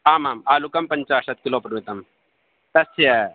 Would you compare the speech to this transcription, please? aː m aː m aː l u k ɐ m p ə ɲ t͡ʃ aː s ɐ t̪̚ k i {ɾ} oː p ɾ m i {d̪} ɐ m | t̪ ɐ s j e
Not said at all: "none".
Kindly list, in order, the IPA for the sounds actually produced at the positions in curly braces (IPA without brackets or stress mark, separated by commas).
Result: l, t̪